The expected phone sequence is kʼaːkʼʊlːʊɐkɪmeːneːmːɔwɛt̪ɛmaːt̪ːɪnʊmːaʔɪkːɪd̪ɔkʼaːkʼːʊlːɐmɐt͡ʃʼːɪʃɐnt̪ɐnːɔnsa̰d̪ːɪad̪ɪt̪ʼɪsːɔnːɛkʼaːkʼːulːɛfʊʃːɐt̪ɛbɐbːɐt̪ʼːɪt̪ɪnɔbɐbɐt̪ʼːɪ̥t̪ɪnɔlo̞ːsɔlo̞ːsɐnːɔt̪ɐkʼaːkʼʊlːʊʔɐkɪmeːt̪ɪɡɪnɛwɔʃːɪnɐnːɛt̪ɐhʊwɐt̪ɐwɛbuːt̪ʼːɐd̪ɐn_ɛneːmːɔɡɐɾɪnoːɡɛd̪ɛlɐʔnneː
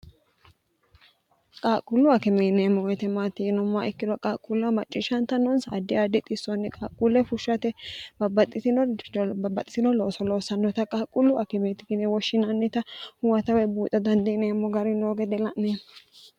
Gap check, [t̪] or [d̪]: d̪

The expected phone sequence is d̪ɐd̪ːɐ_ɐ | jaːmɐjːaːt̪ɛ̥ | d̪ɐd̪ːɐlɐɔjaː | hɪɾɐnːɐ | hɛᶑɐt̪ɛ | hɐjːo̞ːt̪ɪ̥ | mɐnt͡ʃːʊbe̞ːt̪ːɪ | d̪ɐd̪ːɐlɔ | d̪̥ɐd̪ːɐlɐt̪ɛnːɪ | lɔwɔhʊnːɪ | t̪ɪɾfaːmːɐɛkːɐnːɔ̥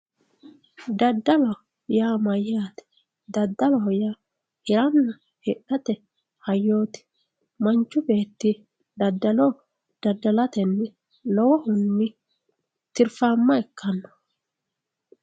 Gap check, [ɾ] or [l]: l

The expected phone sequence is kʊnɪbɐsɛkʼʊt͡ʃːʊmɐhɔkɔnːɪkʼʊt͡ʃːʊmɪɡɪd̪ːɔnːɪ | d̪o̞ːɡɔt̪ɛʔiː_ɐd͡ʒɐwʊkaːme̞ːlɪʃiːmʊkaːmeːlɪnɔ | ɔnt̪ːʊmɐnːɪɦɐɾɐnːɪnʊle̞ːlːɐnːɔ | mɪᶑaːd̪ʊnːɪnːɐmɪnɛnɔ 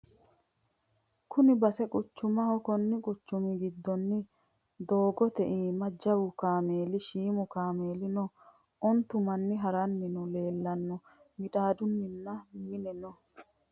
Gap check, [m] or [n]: m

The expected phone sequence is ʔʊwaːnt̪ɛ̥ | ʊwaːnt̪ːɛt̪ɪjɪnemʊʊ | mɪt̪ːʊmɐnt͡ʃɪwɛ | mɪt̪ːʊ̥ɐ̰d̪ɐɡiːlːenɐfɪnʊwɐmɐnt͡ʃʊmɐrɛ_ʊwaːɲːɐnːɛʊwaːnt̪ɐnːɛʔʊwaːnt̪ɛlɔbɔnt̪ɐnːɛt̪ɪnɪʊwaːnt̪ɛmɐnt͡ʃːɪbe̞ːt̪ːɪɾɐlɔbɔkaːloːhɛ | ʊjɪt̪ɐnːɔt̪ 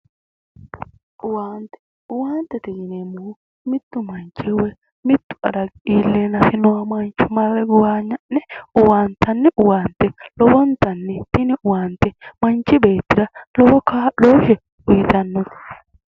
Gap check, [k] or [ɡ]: ɡ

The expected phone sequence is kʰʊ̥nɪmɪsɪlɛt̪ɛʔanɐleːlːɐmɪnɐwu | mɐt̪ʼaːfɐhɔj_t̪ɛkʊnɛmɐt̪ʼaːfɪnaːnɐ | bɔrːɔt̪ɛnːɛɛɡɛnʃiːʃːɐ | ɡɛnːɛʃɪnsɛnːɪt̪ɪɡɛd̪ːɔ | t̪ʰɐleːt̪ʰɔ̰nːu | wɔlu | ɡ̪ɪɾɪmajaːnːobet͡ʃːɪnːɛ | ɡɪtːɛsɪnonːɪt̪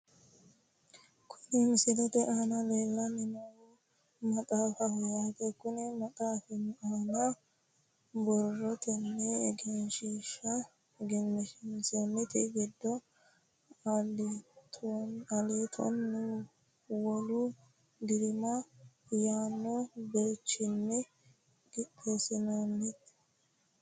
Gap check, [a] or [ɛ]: a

